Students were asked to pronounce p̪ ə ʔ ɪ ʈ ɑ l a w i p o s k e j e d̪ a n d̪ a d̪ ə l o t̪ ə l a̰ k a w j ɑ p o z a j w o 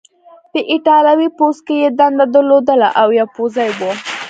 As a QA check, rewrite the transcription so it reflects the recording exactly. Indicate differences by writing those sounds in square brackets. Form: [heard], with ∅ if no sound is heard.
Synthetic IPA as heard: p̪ ə ʔ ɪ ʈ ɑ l a w i p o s k e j e d̪ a n d̪ a d̪ ə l o [d̪] ə l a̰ [ʔ] a w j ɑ p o z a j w o